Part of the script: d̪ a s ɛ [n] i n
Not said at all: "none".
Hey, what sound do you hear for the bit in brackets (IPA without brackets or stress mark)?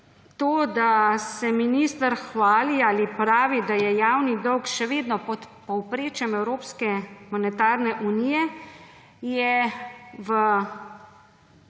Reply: m